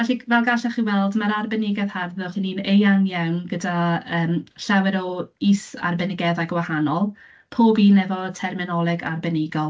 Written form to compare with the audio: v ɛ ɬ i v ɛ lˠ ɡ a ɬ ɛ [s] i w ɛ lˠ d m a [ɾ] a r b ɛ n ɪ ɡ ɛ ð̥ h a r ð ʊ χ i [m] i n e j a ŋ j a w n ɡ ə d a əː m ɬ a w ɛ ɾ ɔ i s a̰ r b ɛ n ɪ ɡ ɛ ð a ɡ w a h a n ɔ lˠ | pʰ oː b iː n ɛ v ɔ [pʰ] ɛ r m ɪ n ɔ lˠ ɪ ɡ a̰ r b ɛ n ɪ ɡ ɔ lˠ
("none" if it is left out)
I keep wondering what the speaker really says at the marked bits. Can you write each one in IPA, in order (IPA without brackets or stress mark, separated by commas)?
χ, ɾ, n, tʰ